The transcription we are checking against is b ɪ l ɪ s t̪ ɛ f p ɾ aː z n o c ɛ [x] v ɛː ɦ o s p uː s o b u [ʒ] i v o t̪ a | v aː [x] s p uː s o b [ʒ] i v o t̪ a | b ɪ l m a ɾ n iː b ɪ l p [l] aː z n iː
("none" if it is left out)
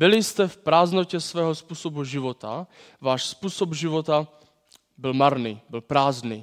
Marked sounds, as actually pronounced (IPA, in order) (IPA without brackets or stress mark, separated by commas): s, ʒ, ʃ, ʒ, ɾ